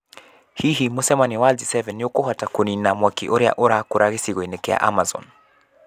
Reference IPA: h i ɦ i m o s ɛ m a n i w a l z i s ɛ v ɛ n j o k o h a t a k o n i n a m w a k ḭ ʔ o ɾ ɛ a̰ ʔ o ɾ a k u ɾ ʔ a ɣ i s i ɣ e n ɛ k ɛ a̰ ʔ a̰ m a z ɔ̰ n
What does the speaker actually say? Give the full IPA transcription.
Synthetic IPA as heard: h i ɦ i m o s ɛ m a n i w a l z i s ɛ v ɛ n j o k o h a t a k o n i n a m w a k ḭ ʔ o ɾ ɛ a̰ ʔ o ɾ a k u ɾ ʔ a ɣ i s i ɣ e n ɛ k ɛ a̰ ʔ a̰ m a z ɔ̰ n